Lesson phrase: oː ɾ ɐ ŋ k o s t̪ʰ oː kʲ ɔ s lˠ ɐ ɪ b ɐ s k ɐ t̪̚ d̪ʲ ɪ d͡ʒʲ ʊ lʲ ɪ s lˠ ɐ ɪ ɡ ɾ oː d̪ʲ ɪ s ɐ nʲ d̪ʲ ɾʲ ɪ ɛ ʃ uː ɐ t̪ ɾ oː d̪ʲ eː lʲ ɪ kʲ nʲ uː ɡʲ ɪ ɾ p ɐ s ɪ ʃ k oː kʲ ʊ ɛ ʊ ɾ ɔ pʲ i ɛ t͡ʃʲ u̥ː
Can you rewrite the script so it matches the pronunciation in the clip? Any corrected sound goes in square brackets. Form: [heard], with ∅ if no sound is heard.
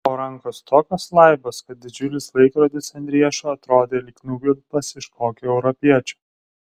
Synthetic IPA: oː ɾ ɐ ŋ k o s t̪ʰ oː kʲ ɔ s lˠ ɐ ɪ b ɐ s k ɐ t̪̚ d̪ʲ ɪ d͡ʒʲ ʊ lʲ ɪ s lˠ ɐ ɪ [k] ɾ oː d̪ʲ ɪ s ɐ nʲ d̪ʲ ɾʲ [i] ɛ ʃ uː ɐ t̪ ɾ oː d̪ʲ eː lʲ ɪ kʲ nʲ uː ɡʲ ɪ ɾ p ɐ s ɪ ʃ k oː kʲ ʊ ɛ ʊ ɾ ɔ pʲ i ɛ t͡ʃʲ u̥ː